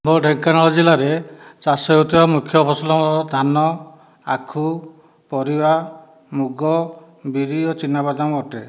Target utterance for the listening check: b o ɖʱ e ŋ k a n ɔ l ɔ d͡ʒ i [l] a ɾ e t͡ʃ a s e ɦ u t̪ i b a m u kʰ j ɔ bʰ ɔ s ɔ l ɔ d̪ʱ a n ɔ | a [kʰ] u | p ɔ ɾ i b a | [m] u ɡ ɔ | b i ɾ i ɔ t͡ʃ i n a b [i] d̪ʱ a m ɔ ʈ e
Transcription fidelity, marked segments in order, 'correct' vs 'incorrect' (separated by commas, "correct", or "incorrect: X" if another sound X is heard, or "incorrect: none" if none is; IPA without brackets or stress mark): correct, correct, correct, incorrect: a